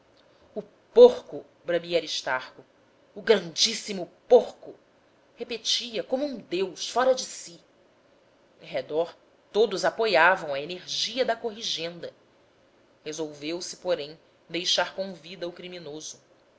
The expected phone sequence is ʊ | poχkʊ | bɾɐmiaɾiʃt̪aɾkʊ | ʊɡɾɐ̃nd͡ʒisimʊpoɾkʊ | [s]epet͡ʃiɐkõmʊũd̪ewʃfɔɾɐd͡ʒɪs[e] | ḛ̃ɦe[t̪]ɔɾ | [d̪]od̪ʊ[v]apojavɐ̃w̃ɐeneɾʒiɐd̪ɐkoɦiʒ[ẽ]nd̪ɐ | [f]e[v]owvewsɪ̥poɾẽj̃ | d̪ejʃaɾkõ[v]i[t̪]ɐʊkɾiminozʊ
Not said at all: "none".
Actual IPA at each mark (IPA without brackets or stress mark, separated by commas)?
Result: h, i, d̪, t̪, z, ẽ, h, z, v, d̪